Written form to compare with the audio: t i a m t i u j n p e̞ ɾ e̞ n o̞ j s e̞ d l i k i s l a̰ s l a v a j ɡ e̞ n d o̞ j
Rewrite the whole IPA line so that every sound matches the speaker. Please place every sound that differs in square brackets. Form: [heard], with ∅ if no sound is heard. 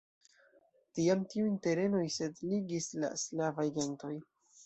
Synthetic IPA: t i a m t i u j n [t] e̞ ɾ e̞ n o̞ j s e̞ d l i [ɡ] i s l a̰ s l a v a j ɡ e̞ n [t] o̞ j